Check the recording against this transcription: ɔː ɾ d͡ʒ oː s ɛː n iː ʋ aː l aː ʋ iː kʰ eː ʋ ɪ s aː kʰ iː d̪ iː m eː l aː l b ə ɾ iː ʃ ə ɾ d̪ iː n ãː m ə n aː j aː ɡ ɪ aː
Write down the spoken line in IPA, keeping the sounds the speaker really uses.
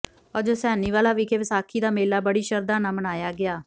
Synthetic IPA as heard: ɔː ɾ d͡ʒ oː s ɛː n iː ʋ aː l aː ʋ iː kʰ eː ʋ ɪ s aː kʰ iː d̪ aː m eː l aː b ə ɽ iː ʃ ə ɾ d̪ aː n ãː m ə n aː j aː ɡ ɪ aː